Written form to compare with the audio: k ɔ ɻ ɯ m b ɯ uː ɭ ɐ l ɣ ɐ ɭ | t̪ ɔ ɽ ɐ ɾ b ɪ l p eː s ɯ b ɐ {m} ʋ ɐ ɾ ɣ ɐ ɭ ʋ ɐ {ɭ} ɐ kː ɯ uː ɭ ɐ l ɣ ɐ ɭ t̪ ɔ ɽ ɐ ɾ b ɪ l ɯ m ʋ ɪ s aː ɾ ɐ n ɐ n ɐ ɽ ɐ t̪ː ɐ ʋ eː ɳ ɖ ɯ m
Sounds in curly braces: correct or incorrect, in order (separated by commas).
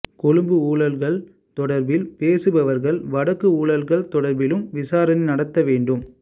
incorrect, incorrect